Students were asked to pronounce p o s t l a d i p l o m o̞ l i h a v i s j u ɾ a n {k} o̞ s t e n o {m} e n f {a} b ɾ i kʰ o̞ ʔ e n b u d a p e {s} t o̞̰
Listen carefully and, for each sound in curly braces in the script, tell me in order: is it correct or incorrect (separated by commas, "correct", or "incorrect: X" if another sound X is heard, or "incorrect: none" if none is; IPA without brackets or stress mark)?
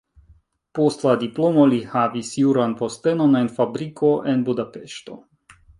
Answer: incorrect: p, incorrect: n, correct, incorrect: ʃ